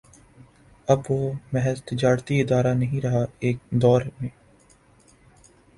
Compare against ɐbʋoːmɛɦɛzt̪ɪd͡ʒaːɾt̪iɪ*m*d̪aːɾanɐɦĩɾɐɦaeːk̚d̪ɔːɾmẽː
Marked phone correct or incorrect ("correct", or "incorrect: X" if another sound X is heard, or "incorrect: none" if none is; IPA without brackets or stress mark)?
incorrect: none